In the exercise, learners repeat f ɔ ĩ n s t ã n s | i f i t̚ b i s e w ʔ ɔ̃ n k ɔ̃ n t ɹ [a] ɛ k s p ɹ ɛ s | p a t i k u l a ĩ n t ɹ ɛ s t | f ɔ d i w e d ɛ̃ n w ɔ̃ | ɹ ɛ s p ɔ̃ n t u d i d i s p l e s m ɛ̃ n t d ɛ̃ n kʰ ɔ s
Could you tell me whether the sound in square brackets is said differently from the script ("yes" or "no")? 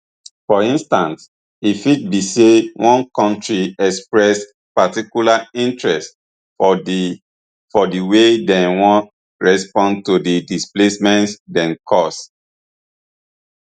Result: yes